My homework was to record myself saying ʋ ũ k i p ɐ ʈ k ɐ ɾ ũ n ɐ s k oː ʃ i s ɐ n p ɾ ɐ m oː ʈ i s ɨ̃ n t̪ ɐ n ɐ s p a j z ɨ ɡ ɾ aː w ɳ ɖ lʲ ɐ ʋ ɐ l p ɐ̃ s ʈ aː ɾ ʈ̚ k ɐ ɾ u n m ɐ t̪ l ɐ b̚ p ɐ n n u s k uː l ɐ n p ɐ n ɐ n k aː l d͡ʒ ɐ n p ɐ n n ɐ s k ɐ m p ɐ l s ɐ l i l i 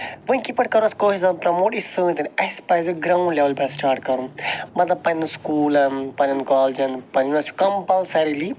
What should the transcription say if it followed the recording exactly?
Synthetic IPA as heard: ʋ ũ k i p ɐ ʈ k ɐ ɾ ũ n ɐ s k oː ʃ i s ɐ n p ɾ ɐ m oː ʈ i s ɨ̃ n t̪ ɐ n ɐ s p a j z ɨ ɡ ɾ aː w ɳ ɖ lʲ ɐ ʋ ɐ l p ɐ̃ s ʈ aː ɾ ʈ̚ k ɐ ɾ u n m ɐ t̪ l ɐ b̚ p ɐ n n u s k uː l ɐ n p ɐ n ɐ n k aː l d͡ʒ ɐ n p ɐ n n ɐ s k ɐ m p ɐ l s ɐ ɾ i l i